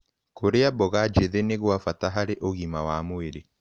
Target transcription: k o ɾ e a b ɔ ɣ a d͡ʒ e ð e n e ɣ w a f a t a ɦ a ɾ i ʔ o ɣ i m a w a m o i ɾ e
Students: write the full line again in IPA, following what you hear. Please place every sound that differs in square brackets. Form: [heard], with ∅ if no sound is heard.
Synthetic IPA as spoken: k o ɾ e a b ɔ ɣ a d͡ʒ e ð e n e ɣ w a f a t a ɦ a ɾ [e] ʔ o ɣ i m a w a m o [e] ɾ e